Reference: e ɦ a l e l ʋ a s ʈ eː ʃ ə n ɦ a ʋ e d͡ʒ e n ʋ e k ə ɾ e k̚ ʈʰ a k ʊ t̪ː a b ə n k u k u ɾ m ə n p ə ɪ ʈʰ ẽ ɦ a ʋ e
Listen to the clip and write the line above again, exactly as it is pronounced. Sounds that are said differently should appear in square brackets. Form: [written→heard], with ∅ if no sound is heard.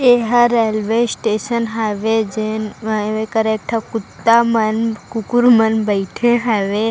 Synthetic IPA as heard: e ɦ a [l→ɾ] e l ʋ [a→e] s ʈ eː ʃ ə n ɦ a ʋ e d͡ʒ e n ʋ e k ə ɾ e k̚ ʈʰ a k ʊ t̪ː a [b→m] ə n k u k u ɾ m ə n [p→b] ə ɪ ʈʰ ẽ ɦ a ʋ e